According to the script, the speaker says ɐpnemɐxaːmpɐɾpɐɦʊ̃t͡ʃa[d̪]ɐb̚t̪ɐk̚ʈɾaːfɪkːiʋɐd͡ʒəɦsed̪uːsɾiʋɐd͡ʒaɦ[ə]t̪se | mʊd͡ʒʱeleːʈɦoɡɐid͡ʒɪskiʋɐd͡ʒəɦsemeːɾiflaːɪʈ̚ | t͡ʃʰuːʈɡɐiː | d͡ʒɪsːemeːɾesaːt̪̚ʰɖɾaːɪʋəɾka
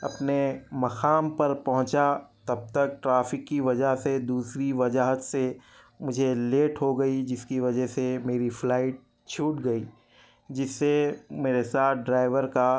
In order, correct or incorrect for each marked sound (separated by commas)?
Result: incorrect, correct